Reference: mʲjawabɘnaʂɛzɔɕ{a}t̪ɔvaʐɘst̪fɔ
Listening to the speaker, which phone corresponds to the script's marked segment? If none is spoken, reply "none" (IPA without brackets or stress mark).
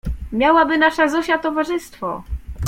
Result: a